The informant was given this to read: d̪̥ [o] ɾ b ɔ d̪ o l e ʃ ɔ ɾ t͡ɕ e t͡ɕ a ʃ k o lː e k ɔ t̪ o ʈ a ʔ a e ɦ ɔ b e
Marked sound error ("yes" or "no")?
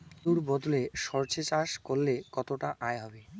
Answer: yes